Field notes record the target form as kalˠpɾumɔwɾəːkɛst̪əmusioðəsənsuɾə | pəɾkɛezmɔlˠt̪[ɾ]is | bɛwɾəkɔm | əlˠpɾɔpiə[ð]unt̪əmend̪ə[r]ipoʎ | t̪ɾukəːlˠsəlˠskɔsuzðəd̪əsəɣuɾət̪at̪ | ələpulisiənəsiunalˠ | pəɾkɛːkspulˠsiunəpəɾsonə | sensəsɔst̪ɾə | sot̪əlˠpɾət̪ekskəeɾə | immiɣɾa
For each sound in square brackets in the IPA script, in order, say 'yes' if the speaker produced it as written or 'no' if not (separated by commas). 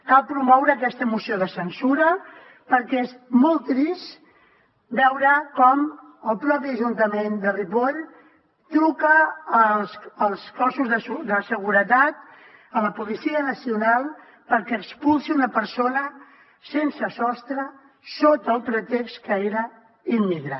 yes, no, yes